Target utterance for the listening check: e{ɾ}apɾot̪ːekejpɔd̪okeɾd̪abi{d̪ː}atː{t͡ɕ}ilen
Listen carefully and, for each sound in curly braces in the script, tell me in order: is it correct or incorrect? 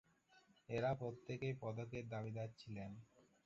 correct, incorrect: d̪, incorrect: t͡ɕʰ

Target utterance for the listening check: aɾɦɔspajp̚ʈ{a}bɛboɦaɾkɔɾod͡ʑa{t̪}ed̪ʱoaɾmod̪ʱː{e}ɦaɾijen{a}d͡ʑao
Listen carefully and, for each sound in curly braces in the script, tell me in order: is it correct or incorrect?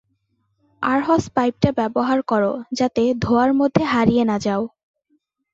correct, correct, correct, correct

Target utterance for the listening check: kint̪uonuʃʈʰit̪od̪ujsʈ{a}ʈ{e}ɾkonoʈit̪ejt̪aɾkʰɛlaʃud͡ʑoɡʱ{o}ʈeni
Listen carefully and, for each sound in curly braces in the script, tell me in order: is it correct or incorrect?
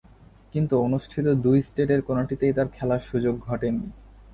incorrect: e, correct, incorrect: ɔ

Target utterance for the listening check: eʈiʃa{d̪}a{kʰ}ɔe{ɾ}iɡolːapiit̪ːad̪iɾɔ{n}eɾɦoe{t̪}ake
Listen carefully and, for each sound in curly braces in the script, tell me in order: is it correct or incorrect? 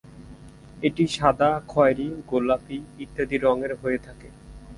correct, correct, correct, incorrect: ŋ, incorrect: t̪ʰ

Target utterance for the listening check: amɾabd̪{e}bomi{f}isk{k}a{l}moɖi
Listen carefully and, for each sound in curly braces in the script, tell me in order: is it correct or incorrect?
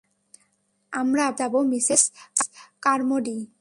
incorrect: a, incorrect: s, correct, incorrect: ɾ

